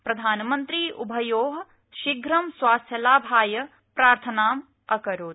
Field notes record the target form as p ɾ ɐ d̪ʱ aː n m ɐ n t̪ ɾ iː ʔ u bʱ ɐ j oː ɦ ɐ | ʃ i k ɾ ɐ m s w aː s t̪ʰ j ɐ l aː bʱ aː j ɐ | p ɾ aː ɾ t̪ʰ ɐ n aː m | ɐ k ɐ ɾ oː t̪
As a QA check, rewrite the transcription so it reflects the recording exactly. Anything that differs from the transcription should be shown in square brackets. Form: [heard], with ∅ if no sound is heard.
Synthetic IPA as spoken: p ɾ ɐ d̪ʱ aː n m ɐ n t̪ ɾ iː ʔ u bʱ ɐ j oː ɦ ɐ | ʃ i [ɡ] ɾ ɐ m s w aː s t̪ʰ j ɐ l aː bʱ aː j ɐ | p ɾ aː ɾ t̪ʰ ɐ n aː m | ɐ k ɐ ɾ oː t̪

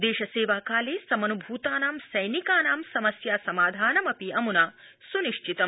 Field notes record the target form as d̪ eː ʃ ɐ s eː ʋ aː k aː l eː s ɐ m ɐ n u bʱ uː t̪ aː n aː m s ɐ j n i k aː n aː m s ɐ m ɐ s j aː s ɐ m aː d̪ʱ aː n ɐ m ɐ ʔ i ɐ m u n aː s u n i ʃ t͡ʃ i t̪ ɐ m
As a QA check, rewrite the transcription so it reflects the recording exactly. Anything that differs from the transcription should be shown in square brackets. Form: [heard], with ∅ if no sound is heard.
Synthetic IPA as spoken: d̪ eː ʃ ɐ s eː ʋ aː k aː l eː s ɐ m ɐ n u bʱ uː t̪ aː n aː m s ɐ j n i k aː n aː m s ɐ m ɐ s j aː s ɐ m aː d̪ʱ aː n ɐ m ɐ [p] i ɐ m u n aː s u n i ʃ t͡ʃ i t̪ ɐ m

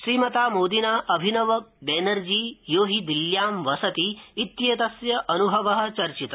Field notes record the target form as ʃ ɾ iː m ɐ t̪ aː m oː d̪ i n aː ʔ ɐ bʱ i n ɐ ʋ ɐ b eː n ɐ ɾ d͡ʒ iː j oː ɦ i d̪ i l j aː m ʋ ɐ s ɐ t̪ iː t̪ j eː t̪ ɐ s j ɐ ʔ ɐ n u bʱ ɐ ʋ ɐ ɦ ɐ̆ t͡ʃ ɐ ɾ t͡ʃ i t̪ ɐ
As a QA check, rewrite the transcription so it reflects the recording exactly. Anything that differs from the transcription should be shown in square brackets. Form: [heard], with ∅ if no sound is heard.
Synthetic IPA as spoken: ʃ ɾ iː m ɐ t̪ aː m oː d̪ i n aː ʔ ɐ bʱ i n ɐ ʋ ɐ b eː n ɐ ɾ d͡ʒ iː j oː ɦ i d̪ i l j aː m ʋ ɐ s ɐ t̪ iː t̪ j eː t̪ ɐ s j ɐ ʔ ɐ n u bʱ ɐ ʋ ɐ ɦ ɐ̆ t͡ʃ ɐ ɾ t͡ʃ i t̪ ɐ

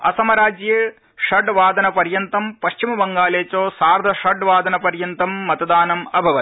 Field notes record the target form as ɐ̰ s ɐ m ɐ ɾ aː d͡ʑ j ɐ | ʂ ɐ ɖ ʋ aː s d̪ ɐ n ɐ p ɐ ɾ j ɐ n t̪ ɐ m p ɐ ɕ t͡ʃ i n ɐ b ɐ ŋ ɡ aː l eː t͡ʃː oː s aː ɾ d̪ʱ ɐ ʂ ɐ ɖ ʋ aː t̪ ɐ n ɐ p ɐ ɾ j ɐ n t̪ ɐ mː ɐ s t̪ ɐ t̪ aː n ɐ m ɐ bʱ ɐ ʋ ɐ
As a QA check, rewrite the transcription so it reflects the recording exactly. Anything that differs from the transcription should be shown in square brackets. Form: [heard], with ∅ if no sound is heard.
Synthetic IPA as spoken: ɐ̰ s ɐ m ɐ ɾ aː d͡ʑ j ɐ | ʂ ɐ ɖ ʋ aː [∅] d̪ ɐ n ɐ p ɐ ɾ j ɐ n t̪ ɐ m p ɐ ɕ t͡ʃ i [m] ɐ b ɐ ŋ ɡ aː l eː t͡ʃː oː s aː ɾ d̪ʱ ɐ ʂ ɐ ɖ ʋ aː [d̪] ɐ n ɐ p ɐ ɾ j ɐ n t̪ ɐ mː ɐ [∅] t̪ ɐ [d̪] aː n ɐ m ɐ bʱ ɐ ʋ ɐ

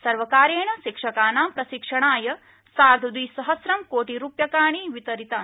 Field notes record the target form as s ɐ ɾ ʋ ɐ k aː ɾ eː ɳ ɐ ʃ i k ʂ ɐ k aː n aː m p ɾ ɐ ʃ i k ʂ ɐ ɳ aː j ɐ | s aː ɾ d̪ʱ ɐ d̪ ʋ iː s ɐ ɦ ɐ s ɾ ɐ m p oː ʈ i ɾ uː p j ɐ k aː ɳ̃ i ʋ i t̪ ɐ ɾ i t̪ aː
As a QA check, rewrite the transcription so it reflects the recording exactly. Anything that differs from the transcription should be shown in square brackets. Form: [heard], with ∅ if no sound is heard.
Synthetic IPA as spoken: s ɐ ɾ ʋ ɐ k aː ɾ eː ɳ ɐ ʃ i k ʂ ɐ k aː n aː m p ɾ ɐ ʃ i k ʂ ɐ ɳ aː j ɐ | s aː ɾ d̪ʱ ɐ d̪ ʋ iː s ɐ ɦ ɐ s ɾ ɐ m [k] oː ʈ i ɾ uː p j ɐ k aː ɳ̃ i ʋ i t̪ ɐ ɾ i t̪ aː

